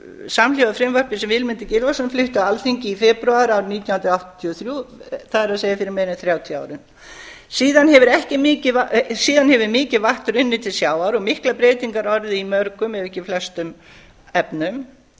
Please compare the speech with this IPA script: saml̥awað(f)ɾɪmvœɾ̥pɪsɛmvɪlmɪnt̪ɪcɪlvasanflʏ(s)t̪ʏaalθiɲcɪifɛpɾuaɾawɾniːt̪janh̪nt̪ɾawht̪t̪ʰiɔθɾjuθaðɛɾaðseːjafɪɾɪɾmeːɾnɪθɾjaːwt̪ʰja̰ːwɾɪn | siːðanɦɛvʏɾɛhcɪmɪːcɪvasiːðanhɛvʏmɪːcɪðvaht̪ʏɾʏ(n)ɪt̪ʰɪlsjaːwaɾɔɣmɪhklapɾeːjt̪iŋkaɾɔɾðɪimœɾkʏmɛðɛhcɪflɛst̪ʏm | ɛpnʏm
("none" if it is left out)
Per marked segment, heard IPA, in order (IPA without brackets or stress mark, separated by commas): f, h, nː